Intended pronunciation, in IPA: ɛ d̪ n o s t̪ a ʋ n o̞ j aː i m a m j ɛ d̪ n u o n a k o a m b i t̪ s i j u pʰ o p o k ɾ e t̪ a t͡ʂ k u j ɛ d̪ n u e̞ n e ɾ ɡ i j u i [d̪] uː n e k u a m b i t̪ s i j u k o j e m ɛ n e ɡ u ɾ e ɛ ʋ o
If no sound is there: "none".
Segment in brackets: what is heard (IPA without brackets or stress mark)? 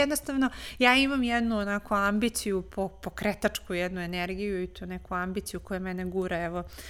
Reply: t̪